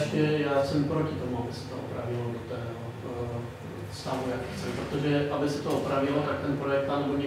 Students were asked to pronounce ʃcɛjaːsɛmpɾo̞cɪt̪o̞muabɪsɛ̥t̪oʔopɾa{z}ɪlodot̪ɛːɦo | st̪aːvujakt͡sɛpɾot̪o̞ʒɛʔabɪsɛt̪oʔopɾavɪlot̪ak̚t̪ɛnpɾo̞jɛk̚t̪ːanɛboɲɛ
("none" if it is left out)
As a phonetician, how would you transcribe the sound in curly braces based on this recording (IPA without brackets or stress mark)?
v